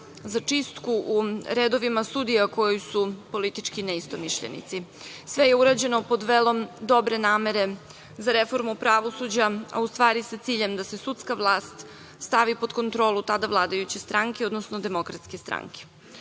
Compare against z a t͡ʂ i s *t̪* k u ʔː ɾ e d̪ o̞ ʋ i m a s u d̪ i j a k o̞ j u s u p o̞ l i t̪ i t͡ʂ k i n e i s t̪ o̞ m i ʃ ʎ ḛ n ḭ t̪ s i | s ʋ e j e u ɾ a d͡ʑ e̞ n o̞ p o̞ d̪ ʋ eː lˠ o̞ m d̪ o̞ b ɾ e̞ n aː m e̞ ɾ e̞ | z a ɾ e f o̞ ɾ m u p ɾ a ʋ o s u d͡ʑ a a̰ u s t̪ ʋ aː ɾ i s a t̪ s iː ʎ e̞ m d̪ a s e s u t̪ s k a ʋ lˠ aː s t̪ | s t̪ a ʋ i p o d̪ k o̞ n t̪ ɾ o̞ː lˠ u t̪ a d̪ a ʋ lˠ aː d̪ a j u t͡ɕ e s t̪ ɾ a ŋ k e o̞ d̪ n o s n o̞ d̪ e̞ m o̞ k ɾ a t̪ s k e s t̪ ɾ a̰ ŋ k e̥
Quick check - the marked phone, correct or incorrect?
correct